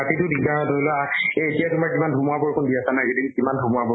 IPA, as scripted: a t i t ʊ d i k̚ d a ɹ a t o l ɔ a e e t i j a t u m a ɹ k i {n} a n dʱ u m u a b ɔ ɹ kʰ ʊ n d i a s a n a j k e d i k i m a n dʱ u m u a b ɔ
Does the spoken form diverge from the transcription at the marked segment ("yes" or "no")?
yes